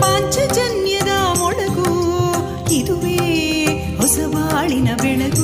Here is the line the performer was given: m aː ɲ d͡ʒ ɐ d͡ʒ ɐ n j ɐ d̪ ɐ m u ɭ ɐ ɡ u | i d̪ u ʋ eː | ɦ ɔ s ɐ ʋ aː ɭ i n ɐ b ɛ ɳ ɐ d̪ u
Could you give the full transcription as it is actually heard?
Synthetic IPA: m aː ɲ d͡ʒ ɐ d͡ʒ ɐ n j ɐ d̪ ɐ m ɔ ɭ ɐ ɡ u | i d̪ u ʋ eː | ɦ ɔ s ɐ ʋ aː ɭ i n ɐ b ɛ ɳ ɐ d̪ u